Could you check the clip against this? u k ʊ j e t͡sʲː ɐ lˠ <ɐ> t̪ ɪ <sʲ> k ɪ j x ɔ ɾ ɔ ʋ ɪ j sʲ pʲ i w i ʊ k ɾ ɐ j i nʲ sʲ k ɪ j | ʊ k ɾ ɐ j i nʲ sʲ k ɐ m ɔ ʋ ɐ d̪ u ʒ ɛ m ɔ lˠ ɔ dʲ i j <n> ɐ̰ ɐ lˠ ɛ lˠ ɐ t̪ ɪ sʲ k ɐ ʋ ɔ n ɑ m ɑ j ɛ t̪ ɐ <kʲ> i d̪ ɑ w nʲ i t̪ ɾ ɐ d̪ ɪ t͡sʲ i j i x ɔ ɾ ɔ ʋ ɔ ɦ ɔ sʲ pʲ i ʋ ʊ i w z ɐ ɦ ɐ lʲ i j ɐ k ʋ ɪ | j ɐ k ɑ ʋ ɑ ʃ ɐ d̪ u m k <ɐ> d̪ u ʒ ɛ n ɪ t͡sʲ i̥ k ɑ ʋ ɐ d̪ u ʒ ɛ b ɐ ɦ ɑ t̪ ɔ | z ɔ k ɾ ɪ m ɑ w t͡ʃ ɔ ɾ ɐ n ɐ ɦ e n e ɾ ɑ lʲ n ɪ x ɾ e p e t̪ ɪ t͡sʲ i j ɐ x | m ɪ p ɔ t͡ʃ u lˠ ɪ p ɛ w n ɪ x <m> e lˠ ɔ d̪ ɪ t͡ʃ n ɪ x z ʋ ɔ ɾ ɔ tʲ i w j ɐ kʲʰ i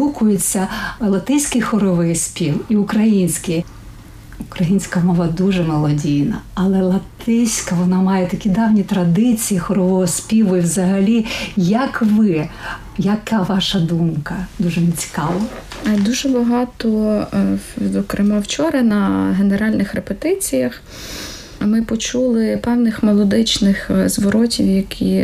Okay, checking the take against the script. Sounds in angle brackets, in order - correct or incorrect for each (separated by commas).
correct, correct, correct, correct, correct, correct